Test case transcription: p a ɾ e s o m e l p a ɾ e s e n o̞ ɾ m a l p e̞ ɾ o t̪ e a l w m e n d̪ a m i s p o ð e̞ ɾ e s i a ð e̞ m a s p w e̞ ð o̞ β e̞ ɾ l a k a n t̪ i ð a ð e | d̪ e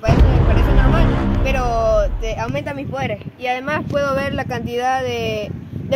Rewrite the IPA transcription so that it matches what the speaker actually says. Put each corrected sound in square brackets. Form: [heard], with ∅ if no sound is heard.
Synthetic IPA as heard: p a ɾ e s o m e [∅] p a ɾ e s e n o̞ ɾ m a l p e̞ ɾ o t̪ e a [∅] w m e n [t̪] a m i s p o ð e̞ ɾ e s i a ð e̞ m a s p w e̞ ð o̞ β e̞ ɾ l a k a n t̪ i ð a ð e | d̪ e